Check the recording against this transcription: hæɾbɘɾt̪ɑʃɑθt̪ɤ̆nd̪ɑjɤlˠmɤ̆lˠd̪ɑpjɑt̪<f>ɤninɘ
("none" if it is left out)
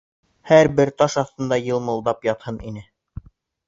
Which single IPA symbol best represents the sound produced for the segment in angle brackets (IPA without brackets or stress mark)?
h